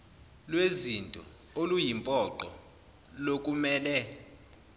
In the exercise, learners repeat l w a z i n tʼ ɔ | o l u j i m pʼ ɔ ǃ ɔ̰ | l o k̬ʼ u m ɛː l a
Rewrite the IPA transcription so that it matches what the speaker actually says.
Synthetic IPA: l w e z i n tʼ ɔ | o l u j i m pʼ ɔ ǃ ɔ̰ | l o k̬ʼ u m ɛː l ɛ